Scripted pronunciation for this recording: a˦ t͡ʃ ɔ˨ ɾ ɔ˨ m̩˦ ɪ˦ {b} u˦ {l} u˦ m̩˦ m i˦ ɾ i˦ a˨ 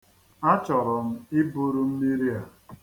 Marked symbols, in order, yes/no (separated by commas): yes, no